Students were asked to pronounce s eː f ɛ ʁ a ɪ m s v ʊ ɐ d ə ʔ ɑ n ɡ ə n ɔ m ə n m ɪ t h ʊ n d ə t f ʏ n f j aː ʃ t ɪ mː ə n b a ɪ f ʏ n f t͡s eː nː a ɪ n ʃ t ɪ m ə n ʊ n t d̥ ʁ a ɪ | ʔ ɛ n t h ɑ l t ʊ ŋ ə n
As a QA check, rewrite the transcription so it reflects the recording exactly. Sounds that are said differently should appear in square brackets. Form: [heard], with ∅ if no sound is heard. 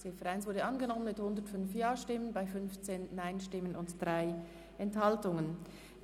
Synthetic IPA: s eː f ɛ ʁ a ɪ [n] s v ʊ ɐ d ə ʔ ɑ n ɡ ə n ɔ m ə n m ɪ t h ʊ n d ə t f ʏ n f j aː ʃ t ɪ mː ə n b a ɪ f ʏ n f t͡s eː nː a ɪ n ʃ t ɪ m ə n ʊ n t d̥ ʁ a ɪ | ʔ ɛ n t h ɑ l t ʊ ŋ ə n